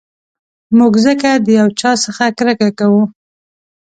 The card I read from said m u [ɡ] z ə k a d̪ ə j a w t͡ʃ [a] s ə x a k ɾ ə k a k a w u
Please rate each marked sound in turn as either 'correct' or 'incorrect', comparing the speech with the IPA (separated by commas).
correct, incorrect